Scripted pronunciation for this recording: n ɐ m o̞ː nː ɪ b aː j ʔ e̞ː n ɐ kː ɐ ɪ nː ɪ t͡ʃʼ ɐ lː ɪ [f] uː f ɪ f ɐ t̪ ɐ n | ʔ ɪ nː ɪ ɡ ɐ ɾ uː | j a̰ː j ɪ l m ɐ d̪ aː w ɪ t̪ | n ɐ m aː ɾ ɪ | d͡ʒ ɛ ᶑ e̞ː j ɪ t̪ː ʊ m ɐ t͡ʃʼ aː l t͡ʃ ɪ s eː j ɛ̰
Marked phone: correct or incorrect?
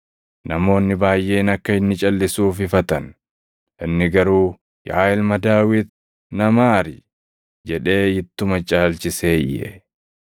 incorrect: s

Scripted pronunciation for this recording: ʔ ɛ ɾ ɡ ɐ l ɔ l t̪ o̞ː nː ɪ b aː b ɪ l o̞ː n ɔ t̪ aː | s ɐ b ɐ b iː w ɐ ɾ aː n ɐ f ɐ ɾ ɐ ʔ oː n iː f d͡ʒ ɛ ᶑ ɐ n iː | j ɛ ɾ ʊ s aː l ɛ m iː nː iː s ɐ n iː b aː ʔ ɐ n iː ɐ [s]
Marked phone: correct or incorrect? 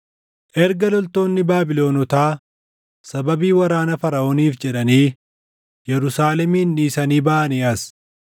correct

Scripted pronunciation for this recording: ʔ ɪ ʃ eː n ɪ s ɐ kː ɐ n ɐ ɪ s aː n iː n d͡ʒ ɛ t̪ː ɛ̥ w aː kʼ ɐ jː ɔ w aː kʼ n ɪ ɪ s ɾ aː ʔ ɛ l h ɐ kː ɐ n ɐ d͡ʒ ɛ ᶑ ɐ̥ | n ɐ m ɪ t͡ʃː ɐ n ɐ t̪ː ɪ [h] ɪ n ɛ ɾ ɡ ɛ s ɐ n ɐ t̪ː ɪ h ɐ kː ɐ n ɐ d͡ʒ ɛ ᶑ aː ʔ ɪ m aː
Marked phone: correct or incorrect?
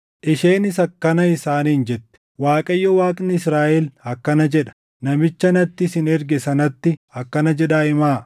incorrect: s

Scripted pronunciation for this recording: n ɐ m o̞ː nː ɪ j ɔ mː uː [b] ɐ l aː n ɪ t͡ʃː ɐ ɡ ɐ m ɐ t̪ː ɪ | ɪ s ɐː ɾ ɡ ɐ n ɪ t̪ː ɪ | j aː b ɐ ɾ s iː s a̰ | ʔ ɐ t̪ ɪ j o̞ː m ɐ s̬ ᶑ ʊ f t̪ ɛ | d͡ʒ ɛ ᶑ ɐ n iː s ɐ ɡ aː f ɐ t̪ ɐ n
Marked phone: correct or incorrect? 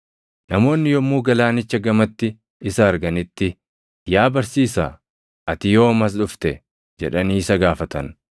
incorrect: ɡ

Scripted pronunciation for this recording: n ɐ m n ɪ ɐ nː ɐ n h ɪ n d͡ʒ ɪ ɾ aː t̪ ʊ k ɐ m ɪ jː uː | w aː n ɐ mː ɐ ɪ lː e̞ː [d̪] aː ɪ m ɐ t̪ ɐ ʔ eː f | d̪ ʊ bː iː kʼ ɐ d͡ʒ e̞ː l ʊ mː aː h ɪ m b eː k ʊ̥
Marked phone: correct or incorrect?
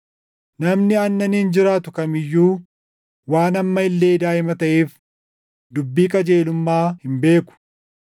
correct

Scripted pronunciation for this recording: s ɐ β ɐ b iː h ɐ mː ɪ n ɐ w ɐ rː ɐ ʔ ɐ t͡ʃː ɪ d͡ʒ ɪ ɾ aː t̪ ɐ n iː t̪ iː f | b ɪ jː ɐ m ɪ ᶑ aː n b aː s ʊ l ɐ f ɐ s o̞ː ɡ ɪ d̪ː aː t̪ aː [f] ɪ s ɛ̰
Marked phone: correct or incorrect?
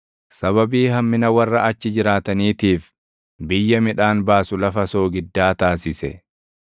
incorrect: s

